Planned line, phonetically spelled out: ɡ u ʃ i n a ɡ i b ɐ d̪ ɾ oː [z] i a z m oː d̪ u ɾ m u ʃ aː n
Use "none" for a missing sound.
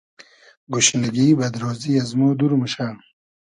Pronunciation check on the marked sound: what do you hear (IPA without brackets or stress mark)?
z